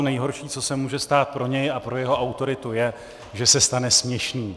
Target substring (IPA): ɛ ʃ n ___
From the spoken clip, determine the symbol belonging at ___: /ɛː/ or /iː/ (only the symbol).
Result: iː